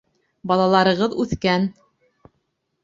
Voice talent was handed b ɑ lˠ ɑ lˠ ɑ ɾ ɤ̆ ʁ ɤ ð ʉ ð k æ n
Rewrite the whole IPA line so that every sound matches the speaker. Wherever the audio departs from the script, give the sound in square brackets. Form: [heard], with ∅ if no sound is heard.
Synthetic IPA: b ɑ lˠ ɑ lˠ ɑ ɾ ɤ̆ ʁ ɤ ð ʉ [θ] k æ n